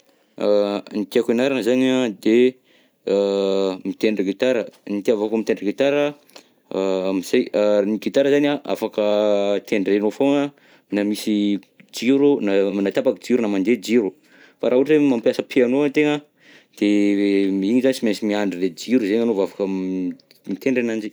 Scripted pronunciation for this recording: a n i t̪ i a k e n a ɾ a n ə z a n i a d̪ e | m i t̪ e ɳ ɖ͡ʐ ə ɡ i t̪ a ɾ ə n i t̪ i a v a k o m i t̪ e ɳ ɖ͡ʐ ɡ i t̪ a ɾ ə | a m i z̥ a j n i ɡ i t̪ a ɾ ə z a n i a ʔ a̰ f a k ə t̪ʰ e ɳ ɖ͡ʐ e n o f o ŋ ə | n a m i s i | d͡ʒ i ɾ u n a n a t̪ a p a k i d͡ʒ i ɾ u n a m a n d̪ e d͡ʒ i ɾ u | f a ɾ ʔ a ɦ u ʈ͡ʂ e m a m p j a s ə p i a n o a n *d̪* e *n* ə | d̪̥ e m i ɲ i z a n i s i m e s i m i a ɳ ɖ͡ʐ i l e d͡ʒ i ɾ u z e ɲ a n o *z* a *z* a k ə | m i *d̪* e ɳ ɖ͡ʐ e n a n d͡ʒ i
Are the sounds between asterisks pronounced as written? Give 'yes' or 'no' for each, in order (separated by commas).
no, no, no, no, no